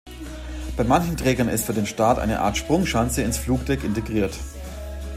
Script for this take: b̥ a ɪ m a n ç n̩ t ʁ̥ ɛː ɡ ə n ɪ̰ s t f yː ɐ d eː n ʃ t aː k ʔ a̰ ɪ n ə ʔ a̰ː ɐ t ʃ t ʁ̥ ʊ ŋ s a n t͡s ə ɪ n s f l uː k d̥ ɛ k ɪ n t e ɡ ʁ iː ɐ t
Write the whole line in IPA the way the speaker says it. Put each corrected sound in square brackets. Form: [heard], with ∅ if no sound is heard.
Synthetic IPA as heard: b̥ a ɪ m a n ç n̩ t ʁ̥ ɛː ɡ [ɐ] n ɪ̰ s t f yː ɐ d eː n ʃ t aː [t] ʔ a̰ ɪ n ə ʔ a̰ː ɐ t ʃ [p] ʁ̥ ʊ ŋ [ʃ] a n t͡s ə ɪ n s f l uː k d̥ ɛ k ɪ n t e ɡ ʁ iː ɐ t